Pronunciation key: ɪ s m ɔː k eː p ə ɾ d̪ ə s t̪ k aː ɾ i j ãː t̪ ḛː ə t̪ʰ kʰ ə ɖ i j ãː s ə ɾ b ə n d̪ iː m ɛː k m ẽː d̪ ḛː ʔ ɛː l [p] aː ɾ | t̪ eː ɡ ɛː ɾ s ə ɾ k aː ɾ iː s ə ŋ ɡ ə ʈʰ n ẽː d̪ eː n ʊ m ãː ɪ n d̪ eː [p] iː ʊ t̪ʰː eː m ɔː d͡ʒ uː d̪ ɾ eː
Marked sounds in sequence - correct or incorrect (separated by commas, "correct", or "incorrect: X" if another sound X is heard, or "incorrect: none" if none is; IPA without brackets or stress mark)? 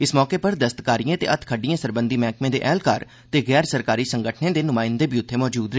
incorrect: k, incorrect: b